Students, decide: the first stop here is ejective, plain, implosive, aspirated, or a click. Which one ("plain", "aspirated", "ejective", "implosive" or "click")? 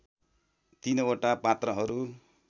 plain